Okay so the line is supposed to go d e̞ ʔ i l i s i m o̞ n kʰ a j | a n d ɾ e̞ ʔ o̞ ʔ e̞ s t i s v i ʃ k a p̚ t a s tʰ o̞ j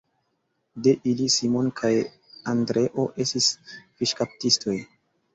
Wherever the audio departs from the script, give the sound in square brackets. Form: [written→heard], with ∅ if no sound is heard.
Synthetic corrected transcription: d e̞ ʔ i l i s i m o̞ n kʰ a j | a n d ɾ e̞ ʔ o̞ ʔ e̞ s t i s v i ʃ k a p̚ t [a→i] s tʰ o̞ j